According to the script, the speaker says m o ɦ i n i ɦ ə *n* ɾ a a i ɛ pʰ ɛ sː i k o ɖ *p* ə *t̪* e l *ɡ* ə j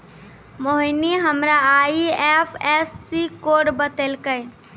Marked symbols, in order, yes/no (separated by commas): no, no, yes, no